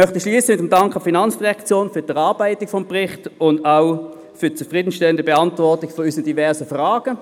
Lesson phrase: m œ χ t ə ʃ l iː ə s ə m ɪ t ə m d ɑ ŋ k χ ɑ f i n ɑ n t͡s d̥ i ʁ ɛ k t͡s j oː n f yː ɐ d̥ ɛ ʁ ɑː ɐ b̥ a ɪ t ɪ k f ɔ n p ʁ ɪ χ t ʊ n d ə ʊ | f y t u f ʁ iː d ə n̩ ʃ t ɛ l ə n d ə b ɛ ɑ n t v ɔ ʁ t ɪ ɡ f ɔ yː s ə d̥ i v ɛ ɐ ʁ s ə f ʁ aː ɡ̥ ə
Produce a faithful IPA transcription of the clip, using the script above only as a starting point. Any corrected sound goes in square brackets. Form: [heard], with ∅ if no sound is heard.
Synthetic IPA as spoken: m œ χ t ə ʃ l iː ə s ə m ɪ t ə m d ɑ ŋ k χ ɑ f i n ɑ n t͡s d̥ i ʁ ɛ k t͡s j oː n f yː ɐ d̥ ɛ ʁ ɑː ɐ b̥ a ɪ t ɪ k f ɔ [m] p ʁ ɪ χ t ʊ n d [a] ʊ | f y [t͡s] u f ʁ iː d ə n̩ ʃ t ɛ l ə n d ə b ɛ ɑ n t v ɔ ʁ t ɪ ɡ f ɔ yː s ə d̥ i v ɛ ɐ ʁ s ə f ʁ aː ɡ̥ ə